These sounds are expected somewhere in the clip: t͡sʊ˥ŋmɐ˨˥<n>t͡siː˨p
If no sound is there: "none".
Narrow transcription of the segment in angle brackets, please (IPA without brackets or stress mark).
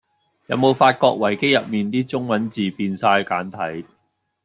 n